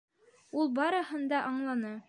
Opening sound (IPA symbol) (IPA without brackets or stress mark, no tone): u